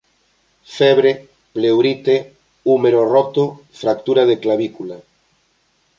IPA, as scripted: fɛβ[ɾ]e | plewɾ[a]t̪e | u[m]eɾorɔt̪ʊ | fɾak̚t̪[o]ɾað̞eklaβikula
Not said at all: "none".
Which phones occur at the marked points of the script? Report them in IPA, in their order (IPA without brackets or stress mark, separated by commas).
ɾ, i, m, u